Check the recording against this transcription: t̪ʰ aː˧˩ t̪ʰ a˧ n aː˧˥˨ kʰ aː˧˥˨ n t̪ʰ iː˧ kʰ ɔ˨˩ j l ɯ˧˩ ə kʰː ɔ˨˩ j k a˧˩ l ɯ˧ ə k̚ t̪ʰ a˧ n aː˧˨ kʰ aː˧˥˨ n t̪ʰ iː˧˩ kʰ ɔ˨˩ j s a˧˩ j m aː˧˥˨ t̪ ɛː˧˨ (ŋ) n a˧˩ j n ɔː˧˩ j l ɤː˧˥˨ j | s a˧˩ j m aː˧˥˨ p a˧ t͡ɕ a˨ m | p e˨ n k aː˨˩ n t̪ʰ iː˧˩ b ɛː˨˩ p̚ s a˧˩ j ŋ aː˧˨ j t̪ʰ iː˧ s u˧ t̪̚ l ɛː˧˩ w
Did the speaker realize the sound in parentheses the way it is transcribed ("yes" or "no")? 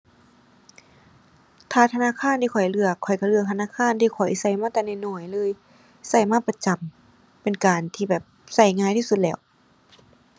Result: no